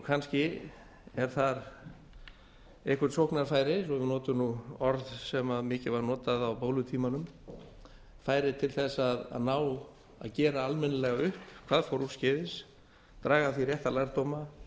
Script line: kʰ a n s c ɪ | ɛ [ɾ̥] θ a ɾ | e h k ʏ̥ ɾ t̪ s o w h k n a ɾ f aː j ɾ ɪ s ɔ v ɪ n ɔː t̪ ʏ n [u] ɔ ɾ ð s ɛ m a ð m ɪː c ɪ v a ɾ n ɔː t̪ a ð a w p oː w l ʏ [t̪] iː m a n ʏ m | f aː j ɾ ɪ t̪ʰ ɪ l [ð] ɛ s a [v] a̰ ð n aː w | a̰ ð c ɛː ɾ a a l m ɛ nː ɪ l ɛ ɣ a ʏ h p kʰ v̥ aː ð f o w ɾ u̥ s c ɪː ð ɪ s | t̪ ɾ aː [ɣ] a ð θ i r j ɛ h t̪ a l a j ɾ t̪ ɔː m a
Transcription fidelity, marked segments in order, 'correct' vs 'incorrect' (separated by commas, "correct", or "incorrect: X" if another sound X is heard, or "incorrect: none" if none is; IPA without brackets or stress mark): correct, correct, incorrect: t̪ʰ, incorrect: θ, incorrect: ð, correct